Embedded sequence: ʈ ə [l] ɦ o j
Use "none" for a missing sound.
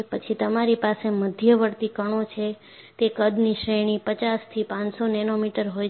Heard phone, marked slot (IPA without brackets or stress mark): ɾ